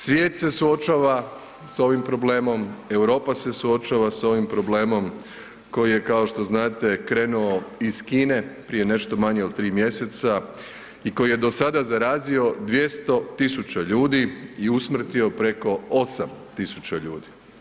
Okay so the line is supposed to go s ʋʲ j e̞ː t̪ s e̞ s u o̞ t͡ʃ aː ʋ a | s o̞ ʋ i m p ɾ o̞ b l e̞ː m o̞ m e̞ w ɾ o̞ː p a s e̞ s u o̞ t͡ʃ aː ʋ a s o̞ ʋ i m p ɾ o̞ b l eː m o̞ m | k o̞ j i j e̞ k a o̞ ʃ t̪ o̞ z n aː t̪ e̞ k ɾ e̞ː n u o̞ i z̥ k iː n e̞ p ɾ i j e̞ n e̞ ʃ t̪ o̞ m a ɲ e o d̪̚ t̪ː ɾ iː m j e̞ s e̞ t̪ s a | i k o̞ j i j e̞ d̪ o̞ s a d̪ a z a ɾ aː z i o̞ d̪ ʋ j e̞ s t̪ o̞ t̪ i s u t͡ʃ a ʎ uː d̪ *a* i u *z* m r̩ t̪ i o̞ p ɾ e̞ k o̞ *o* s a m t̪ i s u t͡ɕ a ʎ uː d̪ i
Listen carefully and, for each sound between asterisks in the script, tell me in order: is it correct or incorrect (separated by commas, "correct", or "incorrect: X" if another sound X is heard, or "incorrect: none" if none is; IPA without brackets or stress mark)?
incorrect: i, incorrect: s, correct